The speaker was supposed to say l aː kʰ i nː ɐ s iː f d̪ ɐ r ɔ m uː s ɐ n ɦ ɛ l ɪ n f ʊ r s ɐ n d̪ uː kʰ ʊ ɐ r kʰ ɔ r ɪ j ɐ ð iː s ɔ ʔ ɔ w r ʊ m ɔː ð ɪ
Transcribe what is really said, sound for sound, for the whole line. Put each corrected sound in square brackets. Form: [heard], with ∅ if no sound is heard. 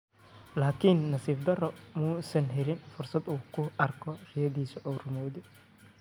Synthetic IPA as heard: l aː kʰ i nː ɐ s iː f d̪ ɐ r ɔ m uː s ɐ n ɦ ɛ l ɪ n f ʊ r s ɐ [∅] d̪ uː kʰ ʊ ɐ r kʰ ɔ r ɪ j ɐ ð iː s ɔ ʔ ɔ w r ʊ m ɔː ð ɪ